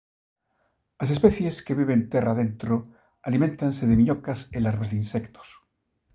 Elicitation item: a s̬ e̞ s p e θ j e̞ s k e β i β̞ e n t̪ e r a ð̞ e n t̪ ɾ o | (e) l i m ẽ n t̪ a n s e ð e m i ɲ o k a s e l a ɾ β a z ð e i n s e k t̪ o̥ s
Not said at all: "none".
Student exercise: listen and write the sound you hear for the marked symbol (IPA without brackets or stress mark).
a